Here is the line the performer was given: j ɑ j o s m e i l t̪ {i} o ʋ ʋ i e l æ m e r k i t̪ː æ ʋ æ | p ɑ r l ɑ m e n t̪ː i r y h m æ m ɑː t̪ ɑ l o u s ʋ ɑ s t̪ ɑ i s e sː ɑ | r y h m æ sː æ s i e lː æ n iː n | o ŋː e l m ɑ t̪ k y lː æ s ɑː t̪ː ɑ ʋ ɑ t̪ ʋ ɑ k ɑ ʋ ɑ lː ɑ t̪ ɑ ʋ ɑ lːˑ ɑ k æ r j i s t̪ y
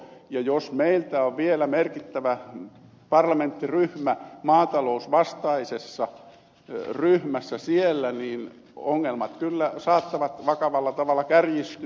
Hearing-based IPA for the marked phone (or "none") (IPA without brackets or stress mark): æ